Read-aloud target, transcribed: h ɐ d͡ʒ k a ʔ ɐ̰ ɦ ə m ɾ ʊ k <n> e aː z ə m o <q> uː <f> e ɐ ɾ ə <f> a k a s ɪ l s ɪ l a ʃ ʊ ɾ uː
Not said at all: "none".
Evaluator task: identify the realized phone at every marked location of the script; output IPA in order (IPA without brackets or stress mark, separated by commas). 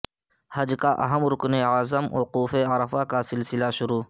n, q, f, f